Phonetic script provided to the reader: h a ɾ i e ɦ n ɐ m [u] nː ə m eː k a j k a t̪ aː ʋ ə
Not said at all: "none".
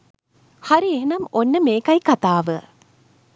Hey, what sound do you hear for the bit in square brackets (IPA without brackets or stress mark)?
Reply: o